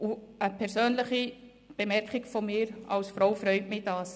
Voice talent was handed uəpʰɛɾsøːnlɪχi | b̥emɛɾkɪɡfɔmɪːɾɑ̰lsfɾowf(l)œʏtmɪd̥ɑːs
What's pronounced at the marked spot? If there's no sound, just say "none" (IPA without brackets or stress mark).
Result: ɾ